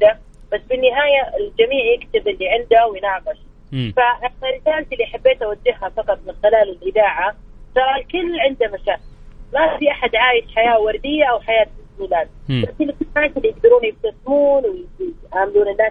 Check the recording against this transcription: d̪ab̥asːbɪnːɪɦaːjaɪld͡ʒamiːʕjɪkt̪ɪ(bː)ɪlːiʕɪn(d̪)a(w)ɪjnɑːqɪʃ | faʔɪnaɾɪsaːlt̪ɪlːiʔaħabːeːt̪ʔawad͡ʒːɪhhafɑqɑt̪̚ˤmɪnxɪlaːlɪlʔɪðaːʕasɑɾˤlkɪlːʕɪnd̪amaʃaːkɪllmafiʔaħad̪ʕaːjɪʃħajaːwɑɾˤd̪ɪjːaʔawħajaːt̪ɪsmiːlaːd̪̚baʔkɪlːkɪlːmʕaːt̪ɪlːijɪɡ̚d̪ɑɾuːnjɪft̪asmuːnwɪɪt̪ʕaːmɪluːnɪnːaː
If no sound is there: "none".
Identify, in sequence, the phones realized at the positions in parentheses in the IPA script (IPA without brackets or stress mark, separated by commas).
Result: b, d̪, w